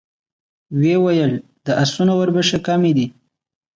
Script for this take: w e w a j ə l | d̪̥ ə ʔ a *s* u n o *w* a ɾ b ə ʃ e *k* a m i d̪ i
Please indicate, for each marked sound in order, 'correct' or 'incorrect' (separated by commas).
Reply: correct, correct, correct